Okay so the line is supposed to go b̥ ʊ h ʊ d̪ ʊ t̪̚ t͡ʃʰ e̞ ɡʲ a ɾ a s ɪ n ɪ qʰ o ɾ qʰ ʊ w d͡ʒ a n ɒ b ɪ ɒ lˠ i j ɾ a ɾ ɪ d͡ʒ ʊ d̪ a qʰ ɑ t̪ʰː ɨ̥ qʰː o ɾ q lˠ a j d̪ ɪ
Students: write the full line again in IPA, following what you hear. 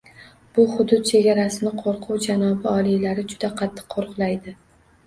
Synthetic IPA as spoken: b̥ ʊ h ʊ d̪ ʊ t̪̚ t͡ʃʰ e̞ ɡʲ a ɾ a s ɪ n ɪ qʰ o ɾ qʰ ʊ w d͡ʒ a n ɒ b ɪ ɒ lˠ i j l a ɾ ɪ d͡ʒ ʊ d̪ a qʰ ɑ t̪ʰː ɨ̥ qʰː o ɾ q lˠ a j d̪ ɪ